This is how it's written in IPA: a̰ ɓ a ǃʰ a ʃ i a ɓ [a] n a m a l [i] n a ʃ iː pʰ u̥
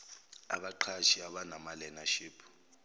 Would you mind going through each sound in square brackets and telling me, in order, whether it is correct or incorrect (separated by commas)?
correct, incorrect